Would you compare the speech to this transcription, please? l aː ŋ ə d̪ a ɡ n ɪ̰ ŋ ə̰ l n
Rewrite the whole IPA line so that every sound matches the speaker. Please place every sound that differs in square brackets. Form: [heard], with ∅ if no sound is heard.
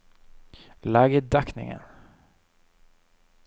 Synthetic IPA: l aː [ɡ] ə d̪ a [k] n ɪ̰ ŋ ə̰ [∅] n